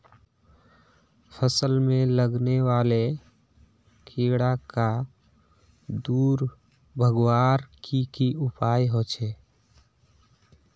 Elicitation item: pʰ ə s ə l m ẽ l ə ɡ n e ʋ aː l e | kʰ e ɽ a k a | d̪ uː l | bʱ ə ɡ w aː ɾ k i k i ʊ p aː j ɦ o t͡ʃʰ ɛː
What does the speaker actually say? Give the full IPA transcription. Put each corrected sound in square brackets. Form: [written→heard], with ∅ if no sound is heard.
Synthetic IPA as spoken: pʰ ə s ə l m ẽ l ə ɡ n e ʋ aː l e | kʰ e ɽ a k a | d̪ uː [l→ɾ] | bʱ ə ɡ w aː ɾ k i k i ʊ p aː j ɦ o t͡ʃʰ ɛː